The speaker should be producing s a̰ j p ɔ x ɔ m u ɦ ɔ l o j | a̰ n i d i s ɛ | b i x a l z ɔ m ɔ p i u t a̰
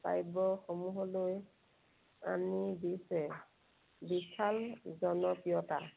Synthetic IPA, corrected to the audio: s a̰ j b ɔ x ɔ m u ɦ ɔ l o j | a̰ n i d i s ɛ | b i s a l z ɔ n ɔ p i ɔ t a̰